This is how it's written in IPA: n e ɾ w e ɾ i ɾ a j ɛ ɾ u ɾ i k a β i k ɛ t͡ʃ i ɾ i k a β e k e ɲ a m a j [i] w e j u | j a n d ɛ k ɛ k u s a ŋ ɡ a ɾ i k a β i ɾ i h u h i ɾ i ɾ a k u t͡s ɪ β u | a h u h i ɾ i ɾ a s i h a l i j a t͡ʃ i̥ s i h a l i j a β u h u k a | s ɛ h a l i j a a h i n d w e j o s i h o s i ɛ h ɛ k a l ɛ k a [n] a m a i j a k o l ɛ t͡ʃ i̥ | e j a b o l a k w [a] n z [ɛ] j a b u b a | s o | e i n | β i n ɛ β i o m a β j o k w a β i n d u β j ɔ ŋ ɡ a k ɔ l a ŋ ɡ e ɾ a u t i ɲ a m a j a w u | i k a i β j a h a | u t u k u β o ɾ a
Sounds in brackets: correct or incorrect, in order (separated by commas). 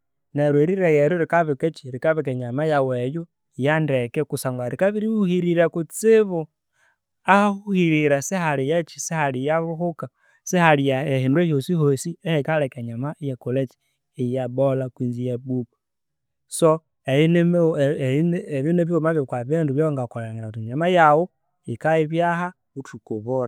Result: incorrect, incorrect, incorrect, incorrect